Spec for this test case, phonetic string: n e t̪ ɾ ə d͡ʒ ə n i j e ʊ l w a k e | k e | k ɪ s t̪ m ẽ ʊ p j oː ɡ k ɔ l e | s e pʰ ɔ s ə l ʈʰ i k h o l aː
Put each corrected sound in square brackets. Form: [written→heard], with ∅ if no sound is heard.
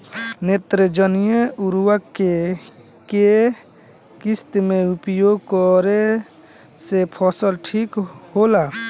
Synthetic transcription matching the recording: n e t̪ ɾ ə d͡ʒ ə n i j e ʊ [l→ɾ] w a k e | k e | k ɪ s t̪ m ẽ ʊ p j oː ɡ k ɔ [l→ɾ] e | s e pʰ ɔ s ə l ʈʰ i k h o l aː